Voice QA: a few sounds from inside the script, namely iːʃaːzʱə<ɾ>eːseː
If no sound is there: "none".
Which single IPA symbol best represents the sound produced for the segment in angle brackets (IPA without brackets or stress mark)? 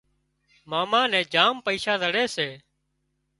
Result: ɽ